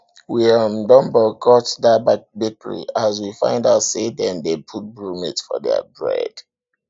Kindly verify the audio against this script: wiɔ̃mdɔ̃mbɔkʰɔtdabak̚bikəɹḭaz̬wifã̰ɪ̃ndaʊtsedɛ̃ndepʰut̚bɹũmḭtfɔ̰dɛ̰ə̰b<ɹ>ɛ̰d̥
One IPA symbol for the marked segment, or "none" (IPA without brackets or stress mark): ɹ